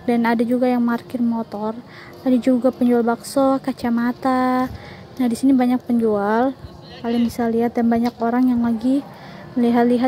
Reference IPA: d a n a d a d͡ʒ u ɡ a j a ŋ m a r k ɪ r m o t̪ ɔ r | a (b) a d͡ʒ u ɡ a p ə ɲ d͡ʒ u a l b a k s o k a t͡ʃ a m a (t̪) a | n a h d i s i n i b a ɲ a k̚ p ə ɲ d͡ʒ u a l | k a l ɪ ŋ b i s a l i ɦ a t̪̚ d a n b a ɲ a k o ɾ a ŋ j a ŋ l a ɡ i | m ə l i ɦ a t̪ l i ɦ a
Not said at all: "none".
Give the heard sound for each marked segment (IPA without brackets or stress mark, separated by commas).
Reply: d, t̪